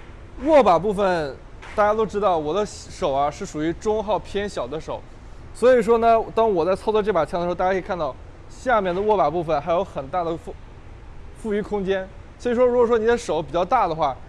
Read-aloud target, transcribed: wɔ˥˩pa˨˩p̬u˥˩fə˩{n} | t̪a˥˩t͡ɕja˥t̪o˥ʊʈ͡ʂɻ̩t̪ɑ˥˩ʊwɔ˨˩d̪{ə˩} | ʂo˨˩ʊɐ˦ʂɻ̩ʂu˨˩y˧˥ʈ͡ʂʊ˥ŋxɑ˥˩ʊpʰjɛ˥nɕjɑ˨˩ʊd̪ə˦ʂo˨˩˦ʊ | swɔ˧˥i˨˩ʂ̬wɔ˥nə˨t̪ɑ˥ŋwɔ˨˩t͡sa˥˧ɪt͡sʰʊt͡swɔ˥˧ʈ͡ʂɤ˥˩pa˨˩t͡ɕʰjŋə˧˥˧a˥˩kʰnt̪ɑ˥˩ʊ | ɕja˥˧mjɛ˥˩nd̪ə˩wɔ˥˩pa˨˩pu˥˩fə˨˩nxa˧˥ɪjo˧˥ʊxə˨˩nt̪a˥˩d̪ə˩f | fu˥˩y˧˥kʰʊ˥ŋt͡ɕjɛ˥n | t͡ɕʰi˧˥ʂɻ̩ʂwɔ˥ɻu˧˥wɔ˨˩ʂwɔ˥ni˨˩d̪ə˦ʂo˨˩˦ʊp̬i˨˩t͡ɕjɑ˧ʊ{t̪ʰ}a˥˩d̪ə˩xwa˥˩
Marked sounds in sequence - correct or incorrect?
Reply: correct, incorrect, incorrect

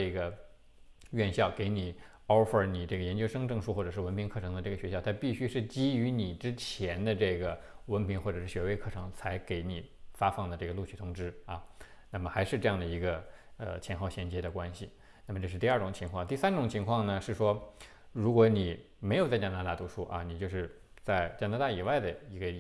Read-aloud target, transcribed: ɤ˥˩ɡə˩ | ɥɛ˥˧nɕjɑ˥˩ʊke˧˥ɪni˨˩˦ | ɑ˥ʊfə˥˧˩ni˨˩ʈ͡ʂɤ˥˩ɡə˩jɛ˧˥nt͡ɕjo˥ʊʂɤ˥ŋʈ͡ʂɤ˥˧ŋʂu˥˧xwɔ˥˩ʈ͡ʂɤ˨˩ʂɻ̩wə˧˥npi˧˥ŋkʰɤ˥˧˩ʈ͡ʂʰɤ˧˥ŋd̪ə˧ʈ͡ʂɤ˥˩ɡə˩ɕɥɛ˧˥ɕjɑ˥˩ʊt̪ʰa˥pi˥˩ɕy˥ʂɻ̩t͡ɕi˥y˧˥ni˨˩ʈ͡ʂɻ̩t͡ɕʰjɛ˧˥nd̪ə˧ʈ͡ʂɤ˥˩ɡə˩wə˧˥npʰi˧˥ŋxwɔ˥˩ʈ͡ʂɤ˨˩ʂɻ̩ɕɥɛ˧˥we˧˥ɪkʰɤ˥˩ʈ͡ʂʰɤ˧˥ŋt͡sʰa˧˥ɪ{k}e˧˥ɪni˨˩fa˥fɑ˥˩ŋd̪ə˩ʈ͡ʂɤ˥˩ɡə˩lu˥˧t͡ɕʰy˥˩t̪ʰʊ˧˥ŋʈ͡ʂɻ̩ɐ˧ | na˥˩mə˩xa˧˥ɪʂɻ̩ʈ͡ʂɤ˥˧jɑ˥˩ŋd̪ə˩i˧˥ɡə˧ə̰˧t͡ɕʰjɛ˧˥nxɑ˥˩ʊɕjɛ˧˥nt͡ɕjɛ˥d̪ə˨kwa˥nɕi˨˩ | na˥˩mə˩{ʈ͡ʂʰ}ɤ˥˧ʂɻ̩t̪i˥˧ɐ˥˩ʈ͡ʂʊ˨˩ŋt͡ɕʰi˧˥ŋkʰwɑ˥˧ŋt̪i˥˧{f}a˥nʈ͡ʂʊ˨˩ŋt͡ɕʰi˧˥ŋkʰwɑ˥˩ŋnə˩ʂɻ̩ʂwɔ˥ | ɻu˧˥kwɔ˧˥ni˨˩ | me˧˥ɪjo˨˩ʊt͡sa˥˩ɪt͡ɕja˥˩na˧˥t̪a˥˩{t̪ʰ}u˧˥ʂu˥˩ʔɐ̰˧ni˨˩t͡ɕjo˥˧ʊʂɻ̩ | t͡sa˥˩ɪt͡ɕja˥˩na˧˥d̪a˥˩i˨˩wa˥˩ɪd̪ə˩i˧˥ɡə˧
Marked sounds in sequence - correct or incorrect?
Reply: correct, incorrect, incorrect, incorrect

